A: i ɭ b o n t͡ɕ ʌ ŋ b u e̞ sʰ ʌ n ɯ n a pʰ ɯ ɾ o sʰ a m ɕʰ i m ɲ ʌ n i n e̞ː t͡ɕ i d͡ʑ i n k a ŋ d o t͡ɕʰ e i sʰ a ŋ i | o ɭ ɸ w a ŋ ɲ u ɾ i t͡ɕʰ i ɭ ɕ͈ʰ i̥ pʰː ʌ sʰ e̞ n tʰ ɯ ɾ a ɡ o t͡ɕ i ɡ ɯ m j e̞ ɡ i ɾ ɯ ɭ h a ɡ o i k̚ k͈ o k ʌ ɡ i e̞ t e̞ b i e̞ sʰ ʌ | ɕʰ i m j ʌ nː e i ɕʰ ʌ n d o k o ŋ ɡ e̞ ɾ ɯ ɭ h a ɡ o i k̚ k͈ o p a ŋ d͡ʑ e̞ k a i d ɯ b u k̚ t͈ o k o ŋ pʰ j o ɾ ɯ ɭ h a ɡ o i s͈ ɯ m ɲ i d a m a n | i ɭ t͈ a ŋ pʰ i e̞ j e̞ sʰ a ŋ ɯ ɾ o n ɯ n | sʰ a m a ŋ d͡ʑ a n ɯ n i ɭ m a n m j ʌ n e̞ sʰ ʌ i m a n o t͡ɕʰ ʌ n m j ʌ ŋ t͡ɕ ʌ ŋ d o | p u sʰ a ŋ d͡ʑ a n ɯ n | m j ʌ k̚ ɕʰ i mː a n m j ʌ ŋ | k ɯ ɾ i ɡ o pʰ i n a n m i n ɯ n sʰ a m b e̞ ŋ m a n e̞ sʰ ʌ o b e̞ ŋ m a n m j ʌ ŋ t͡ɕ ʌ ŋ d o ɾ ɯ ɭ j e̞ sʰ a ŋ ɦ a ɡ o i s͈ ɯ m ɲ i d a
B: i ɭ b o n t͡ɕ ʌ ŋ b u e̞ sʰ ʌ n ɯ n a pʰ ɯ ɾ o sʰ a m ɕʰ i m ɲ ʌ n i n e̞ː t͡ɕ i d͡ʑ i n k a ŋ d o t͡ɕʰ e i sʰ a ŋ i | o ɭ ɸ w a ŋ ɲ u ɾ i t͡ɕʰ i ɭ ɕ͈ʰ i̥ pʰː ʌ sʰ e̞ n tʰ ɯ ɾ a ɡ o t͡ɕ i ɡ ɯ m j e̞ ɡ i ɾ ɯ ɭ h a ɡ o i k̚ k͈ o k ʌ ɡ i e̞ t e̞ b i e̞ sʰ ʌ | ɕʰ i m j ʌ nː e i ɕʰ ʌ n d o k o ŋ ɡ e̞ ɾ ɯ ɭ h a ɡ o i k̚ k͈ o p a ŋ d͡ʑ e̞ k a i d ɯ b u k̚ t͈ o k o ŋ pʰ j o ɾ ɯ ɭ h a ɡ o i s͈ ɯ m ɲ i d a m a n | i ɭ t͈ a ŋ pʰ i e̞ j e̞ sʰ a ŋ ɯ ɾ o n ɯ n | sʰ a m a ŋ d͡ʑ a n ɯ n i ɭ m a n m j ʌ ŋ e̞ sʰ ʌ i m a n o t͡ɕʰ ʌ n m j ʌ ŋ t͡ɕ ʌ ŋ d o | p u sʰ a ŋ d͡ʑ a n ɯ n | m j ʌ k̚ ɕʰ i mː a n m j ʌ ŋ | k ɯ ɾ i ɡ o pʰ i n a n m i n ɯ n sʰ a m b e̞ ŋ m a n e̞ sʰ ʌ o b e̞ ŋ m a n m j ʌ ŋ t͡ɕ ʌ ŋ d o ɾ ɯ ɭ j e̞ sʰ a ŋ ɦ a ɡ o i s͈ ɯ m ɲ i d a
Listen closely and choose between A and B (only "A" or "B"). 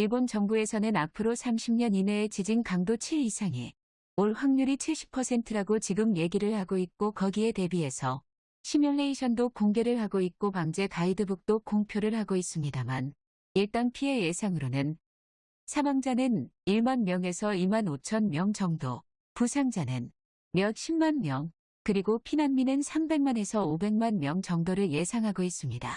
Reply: B